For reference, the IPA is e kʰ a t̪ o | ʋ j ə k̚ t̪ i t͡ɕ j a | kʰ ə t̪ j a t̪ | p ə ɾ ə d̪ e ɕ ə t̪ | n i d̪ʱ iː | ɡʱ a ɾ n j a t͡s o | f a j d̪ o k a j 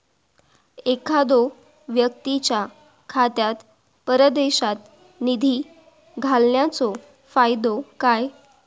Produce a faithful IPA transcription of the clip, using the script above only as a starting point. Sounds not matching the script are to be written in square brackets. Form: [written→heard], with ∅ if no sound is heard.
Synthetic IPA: e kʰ a [t̪→d̪] o | ʋ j ə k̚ t̪ i t͡ɕ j a | kʰ [ə→a] t̪ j a t̪ | p ə ɾ ə d̪ e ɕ [ə→a] t̪ | n i d̪ʱ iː | ɡʱ a [ɾ→l] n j a t͡s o | f a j d̪ o k a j

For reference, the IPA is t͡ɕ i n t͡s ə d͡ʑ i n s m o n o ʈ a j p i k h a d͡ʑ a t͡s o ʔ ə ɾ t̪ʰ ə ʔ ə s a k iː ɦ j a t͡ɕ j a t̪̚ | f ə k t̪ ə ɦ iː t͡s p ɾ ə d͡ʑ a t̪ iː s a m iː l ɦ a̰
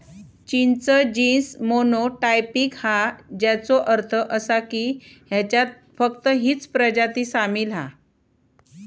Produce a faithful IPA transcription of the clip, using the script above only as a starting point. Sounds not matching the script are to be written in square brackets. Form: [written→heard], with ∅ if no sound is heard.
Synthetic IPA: t͡ɕ i n t͡s ə d͡ʑ i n s m o n o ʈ a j p i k h a d͡ʑ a t͡s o ʔ ə ɾ t̪ʰ ə ʔ ə s a k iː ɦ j a t͡ɕ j a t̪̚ | f ə k t̪ ə ɦ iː t͡s p ɾ ə d͡ʑ a t̪ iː s a m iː l ɦ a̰

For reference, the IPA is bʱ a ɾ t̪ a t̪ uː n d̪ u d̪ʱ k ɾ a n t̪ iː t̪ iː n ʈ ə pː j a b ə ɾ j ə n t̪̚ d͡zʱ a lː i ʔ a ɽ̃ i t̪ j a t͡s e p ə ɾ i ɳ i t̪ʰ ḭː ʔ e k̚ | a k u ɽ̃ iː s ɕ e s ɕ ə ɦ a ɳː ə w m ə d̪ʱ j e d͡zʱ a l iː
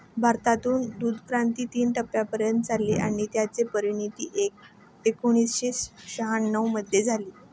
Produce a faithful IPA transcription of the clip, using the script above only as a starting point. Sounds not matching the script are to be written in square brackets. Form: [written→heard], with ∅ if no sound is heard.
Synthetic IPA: bʱ a ɾ t̪ a t̪ uː n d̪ u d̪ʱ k ɾ a n t̪ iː t̪ iː n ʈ ə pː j a [b→p] ə ɾ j ə n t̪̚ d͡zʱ a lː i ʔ a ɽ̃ i t̪ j a t͡s e p ə ɾ i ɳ i [t̪ʰ→t̪] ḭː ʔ e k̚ | [a→e] k u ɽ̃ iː s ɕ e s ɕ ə ɦ a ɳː ə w m ə d̪ʱ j e d͡zʱ a l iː

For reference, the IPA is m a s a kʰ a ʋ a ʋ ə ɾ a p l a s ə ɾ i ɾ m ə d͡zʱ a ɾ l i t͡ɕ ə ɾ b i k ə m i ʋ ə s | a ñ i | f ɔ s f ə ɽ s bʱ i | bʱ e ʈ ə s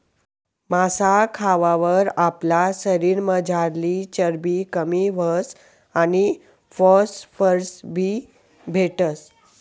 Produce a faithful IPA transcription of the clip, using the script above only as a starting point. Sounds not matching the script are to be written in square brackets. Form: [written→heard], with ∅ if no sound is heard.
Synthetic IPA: m a s a kʰ a ʋ a ʋ ə ɾ a p l a s ə ɾ i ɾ m ə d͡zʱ a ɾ l i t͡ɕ ə ɾ b i k ə m i ʋ ə s | a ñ i | f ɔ s f ə [ɽ→ɾ] s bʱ i | bʱ e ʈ ə s

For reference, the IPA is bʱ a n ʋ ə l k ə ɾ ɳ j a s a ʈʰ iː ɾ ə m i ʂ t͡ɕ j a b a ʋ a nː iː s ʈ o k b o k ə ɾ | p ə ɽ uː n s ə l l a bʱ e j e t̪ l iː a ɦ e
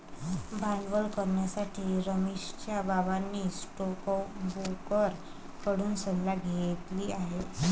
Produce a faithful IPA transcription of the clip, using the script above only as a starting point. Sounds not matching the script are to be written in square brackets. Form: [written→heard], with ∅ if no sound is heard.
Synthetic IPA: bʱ a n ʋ ə l k ə ɾ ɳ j a s a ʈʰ iː ɾ ə m i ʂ t͡ɕ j a b a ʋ a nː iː s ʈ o k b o k ə ɾ | [p→k] ə ɽ uː n s ə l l a [bʱ→ɡʱ] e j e t̪ l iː a ɦ e

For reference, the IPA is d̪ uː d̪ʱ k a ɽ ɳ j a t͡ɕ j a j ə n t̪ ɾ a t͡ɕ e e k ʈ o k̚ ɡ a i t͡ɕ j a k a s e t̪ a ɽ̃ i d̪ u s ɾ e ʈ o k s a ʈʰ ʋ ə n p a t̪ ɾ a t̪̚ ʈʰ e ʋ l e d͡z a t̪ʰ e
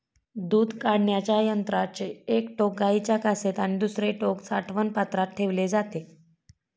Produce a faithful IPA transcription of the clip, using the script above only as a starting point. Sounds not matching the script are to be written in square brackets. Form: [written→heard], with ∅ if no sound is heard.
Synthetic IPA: d̪ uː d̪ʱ k a ɽ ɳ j a t͡ɕ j a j ə n t̪ ɾ a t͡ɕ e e k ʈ o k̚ ɡ a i t͡ɕ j a k a s e t̪ a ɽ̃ i d̪ u s ɾ e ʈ o k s a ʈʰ ʋ ə n p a t̪ ɾ a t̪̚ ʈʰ e ʋ l e d͡z a [t̪ʰ→t̪] e

